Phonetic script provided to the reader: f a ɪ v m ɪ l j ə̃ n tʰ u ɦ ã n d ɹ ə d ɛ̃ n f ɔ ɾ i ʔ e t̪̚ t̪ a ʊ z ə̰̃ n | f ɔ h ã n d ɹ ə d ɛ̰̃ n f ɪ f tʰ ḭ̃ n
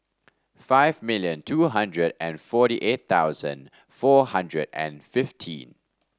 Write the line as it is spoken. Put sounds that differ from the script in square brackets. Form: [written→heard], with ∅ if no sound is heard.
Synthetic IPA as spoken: f a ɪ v m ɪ l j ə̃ n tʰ u ɦ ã n d ɹ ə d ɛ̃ n f ɔ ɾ i ʔ e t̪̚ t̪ a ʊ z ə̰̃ n | f ɔ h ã n d ɹ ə d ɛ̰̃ n f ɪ f tʰ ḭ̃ n

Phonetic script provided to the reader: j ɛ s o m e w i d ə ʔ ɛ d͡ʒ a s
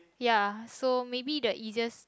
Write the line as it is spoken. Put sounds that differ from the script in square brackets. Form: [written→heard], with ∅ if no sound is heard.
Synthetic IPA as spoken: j [ɛ→a] s o m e [w→b] i d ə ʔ [ɛ→i] d͡ʒ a s

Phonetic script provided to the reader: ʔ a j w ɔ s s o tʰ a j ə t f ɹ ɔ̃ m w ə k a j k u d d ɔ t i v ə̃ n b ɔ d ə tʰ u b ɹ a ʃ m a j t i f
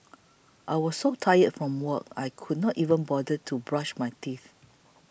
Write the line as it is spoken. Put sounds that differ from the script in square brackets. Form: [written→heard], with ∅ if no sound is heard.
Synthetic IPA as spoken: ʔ a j w ɔ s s o tʰ a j ə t f ɹ ɔ̃ m w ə k a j [k→kʰ] u d [d→n] ɔ t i v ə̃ n b ɔ d ə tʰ u b ɹ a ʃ m a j t i [f→θ]

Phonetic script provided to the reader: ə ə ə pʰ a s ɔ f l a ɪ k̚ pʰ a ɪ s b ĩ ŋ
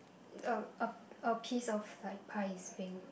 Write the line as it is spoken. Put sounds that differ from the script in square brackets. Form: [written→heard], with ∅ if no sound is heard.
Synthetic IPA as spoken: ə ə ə pʰ [a→i] s ɔ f l a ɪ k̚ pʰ a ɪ s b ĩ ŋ

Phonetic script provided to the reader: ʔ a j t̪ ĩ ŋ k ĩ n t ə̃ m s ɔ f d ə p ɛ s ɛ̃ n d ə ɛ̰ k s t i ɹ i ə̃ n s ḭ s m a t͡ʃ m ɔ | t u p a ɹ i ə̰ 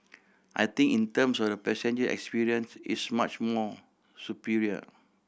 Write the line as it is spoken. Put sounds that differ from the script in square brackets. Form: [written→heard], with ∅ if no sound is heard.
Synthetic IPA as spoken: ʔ a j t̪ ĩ ŋ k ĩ n t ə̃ m s ɔ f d ə p ɛ s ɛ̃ n [d→d͡ʒ] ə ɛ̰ k s [t→p] i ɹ i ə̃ n s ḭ s m a t͡ʃ m ɔ | [t→s] u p [a→i] ɹ i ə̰

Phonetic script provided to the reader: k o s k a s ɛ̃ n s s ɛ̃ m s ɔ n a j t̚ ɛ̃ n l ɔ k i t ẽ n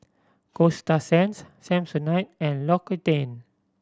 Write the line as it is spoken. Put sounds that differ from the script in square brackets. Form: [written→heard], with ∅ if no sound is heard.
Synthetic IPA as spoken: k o s [k→t] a s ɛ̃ n s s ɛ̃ m s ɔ n a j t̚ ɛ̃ n l ɔ k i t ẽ n

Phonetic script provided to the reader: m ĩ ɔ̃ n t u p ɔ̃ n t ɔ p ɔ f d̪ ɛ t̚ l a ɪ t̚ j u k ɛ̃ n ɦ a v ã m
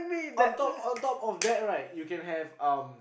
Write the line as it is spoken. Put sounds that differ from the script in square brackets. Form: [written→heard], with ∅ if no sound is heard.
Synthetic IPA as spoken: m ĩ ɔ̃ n t [u→ɔ] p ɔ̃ n t ɔ p ɔ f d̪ ɛ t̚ [l→ɹ] a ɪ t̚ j u k ɛ̃ n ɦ [a→ɛ] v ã m

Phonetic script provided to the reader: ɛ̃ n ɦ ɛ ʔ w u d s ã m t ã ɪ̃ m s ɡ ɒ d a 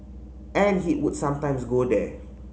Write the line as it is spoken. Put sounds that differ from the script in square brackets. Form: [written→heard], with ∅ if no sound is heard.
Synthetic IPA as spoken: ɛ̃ n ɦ [ɛ→i] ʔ w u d s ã m t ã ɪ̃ m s ɡ [ɒ→o] d [a→ɛ]

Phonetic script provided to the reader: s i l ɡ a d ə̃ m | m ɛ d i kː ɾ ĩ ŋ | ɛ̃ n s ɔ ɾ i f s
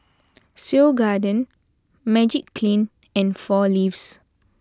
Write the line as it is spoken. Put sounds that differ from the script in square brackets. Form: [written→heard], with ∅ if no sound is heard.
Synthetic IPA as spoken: s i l ɡ a d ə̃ [m→n] | m ɛ [d→d͡ʒ] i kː [ɾ→l] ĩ [ŋ→n] | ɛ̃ n [s→f] ɔ [ɾ→l] i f s

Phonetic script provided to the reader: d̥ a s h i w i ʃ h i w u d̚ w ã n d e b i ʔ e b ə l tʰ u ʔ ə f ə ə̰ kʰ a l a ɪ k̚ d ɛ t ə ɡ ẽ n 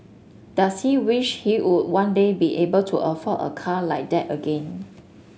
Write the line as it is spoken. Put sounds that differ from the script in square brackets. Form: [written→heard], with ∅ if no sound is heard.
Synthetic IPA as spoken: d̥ a s h i w i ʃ h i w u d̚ w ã n d e b i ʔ e b ə l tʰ u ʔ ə f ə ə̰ kʰ a l a ɪ k̚ d ɛ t ə ɡ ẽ n

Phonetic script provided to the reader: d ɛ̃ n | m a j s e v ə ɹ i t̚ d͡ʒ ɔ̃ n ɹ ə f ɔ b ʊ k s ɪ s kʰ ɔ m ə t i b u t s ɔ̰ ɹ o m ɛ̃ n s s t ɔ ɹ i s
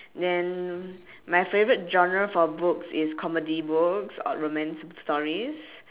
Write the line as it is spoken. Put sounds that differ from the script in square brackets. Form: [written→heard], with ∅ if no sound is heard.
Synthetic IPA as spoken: d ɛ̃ n | m a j [s→f] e v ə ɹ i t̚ d͡ʒ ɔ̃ n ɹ ə f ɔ b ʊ k s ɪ s kʰ ɔ m ə [t→d] i b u [t→k] s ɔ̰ ɹ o m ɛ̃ n s s t ɔ ɹ i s

